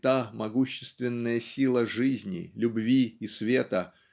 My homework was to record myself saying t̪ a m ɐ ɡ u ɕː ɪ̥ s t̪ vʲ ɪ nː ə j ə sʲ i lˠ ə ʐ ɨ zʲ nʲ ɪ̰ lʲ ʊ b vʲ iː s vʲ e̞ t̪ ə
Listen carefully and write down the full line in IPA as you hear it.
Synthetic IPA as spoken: t̪ a m ɐ ɡ u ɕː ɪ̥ s t̪ vʲ ɪ nː ə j ə sʲ i lˠ ə ʐ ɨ zʲ nʲ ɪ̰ lʲ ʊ b vʲ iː s vʲ e̞ t̪ ə